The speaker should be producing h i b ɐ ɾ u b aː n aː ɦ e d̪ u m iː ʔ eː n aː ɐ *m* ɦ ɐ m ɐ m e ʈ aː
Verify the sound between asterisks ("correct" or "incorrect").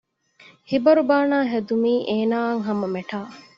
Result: incorrect